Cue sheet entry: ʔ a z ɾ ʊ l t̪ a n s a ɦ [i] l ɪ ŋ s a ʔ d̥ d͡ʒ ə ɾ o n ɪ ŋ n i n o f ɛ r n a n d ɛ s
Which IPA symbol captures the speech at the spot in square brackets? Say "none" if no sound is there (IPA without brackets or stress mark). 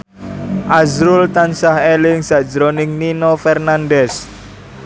e